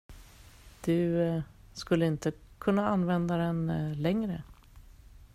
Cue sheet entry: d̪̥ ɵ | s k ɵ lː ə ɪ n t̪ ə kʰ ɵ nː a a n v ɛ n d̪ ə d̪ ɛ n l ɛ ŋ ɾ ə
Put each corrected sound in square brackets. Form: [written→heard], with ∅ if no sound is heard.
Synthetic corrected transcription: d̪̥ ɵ | s k ɵ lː ə ɪ n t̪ ə kʰ ɵ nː a a n v ɛ n d̪ [ə→a] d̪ ɛ n l ɛ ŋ ɾ ə